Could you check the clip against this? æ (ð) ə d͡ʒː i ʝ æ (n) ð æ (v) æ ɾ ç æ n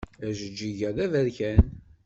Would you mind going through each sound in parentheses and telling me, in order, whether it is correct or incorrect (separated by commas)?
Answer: incorrect, incorrect, correct